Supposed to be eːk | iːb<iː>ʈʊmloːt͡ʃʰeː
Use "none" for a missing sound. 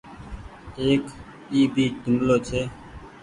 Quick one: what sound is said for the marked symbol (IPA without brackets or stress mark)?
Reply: iː